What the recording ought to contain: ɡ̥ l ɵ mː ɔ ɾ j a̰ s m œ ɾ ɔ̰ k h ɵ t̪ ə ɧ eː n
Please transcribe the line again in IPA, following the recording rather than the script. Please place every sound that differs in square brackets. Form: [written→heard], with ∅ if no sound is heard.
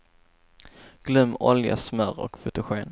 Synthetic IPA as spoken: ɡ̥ l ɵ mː ɔ [ɾ→l] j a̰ s m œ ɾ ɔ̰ k [h→f] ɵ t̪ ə ɧ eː n